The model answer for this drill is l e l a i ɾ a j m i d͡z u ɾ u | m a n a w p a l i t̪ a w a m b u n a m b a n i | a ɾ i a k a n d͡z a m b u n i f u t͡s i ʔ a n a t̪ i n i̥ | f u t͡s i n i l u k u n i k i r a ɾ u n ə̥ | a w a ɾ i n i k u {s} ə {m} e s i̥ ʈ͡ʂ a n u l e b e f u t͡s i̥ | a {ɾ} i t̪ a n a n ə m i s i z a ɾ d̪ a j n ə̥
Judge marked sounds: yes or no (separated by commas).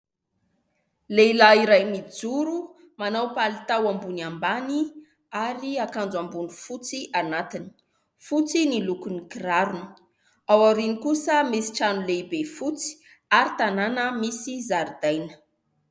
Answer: yes, yes, yes